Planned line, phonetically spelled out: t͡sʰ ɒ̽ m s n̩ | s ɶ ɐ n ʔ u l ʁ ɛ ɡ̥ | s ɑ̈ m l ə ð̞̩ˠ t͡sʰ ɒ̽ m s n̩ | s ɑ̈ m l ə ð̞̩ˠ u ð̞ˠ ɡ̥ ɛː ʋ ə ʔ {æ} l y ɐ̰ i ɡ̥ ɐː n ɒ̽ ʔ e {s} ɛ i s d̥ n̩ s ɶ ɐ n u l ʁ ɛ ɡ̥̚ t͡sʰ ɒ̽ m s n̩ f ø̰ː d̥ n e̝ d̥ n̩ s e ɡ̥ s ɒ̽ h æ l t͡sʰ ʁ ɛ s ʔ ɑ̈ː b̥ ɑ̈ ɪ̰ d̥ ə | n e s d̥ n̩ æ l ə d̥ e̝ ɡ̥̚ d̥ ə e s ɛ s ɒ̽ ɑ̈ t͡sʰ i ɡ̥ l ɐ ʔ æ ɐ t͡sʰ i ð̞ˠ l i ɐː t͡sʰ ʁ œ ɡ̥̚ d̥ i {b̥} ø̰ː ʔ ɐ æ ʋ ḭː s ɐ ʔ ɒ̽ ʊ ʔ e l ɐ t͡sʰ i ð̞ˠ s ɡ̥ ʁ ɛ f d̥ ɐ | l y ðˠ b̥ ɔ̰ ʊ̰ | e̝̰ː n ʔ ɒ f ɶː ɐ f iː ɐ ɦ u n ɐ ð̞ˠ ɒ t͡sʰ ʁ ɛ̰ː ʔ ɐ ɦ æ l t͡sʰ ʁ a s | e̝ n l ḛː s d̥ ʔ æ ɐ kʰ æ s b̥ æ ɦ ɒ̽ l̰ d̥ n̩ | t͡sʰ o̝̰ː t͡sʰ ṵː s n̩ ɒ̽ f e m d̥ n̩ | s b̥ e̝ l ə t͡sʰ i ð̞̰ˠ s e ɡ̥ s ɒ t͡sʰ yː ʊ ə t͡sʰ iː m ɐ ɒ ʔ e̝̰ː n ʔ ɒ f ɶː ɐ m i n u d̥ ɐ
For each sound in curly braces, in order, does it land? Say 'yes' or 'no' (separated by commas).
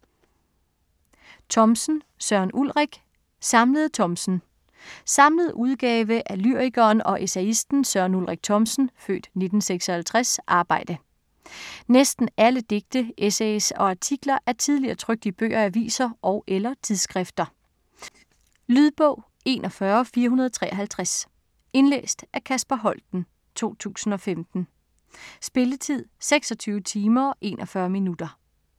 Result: yes, yes, yes